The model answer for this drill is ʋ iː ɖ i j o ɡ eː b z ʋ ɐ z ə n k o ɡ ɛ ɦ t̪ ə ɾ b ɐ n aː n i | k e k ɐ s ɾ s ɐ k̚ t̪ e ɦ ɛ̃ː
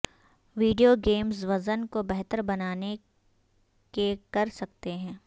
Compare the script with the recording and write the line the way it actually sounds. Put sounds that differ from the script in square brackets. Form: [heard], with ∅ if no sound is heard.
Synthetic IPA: ʋ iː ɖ i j o ɡ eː [m] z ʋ ɐ z ə n k o [b] ɛ ɦ t̪ ə ɾ b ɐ n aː n [e] | k e k ɐ [∅] ɾ s ɐ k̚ t̪ e ɦ ɛ̃ː